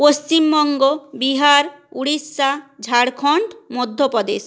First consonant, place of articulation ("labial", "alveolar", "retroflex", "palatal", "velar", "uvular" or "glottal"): labial